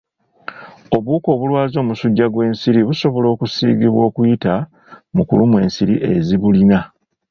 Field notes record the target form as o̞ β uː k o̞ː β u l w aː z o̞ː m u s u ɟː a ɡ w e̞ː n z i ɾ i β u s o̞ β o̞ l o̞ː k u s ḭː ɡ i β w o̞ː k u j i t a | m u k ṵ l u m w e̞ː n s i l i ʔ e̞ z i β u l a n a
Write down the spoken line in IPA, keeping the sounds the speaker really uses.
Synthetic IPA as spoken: o̞ β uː k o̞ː β u l w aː z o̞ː m u s u ɟː a ɡ w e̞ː n s i ɾ i β u s o̞ β o̞ l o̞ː k u s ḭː ɡ i β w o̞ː k u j i t a | m u k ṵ l u m w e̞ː n s i ɾ i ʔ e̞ z i β u l i n a

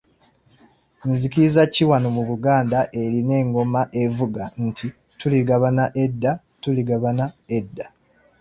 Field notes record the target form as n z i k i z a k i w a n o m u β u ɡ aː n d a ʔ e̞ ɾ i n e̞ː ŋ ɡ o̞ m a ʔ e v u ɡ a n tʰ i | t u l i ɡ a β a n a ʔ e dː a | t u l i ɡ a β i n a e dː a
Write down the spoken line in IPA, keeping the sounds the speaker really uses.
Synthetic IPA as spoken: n z i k i z a c i w a n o m u β u ɡ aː n d a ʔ e̞ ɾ i n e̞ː ŋ ɡ o̞ m a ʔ e v u ɡ a n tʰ i | t u l i ɡ a β a n a ʔ e dː a | t u l i ɡ a β a n a e dː a

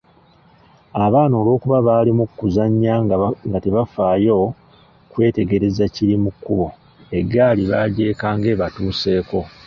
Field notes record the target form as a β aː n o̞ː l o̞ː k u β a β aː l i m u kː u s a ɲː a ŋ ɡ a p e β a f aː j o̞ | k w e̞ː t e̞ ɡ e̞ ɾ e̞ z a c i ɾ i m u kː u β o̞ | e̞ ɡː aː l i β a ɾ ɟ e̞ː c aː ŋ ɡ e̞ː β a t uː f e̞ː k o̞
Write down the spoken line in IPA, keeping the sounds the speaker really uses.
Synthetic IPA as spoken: a β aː n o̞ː l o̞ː k u β a β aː l i m u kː u z a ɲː a ŋ ɡ a t e β a f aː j o̞ | k w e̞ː t e̞ ɡ e̞ ɾ e̞ z a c i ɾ i m u kː u β o̞ | e̞ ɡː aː l i β a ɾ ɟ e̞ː k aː ŋ ɡ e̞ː β a t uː s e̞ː k o̞

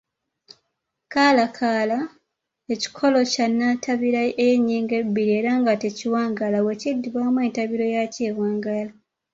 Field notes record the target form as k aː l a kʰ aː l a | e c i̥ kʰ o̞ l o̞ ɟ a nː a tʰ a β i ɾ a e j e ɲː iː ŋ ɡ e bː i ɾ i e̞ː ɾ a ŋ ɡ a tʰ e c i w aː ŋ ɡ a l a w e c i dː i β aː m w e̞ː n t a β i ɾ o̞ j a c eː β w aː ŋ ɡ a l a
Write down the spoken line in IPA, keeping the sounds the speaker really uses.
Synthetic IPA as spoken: k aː l a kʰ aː l a | e c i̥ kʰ o̞ l o̞ c a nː a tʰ a β i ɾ a e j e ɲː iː ŋ ɡ e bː i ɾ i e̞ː ɾ a ŋ ɡ a t e c i w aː ŋ ɡ a l a w e c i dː i β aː m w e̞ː n t a β i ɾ o̞ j a c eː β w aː ŋ ɡ a l a

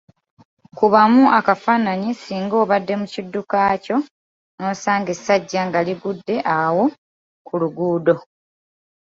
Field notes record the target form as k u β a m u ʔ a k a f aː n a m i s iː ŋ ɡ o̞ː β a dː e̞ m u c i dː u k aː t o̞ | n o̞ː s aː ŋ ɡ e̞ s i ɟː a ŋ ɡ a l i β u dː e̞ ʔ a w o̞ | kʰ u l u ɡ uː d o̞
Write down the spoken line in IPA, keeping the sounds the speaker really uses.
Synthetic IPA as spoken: k u β a m u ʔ a k a f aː n a ɲ i s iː ŋ ɡ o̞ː β a dː e̞ m u c i dː u k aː c o̞ | n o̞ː s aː ŋ ɡ e̞ s a ɟː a ŋ ɡ a l i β u dː e̞ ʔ a w o̞ | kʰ u l u ɡ uː d o̞

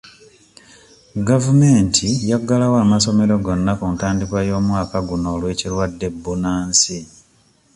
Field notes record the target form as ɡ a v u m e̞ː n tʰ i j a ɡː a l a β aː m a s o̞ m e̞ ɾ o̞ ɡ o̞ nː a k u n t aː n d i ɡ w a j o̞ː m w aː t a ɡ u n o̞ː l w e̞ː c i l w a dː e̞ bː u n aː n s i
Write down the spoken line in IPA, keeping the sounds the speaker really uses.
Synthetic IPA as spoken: ɡ a v u m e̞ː n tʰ i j a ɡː a l a w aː m a s o̞ m e̞ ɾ o̞ ɡ o̞ nː a k u n t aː n d i k w a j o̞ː m w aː k a ɡ u n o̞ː l w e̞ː c i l w a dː e̞ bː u n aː n s i

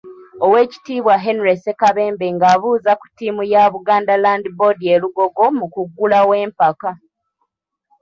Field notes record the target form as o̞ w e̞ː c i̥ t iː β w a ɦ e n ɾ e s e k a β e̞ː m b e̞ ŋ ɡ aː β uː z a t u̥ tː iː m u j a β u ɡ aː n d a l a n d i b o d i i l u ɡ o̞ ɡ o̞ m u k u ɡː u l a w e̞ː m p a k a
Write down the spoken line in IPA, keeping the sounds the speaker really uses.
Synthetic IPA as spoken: o̞ w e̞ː c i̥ t iː β w a ɦ e n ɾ e s e k a β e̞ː m b e̞ ŋ ɡ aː β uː z a k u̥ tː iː m u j a β u ɡ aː n d a l a n d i b o d i e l u ɡ o̞ ɡ o̞ m u k u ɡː u l a w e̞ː m p a k a

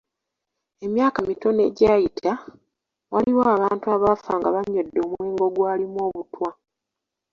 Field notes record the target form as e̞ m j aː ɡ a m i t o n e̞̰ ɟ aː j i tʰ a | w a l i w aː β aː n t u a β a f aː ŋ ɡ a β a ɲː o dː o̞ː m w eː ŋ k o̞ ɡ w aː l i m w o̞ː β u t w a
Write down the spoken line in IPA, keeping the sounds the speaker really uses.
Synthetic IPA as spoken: e̞ m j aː k a m i t o n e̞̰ ɟ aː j i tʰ a | w a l i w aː β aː n t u a β a f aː ŋ ɡ a β a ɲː o dː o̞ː m w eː ŋ ɡ o̞ ɡ w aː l i m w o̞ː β u t w a

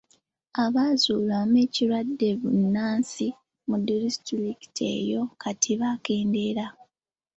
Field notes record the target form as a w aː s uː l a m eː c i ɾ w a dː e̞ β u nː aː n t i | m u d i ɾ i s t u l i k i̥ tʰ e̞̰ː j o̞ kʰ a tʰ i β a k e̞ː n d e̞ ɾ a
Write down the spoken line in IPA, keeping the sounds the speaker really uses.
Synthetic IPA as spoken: a β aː z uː l a m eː c i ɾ w a dː e̞ β u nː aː n s i | m u d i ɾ i s t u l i k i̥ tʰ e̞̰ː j o̞ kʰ a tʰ i β a k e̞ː n d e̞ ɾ a

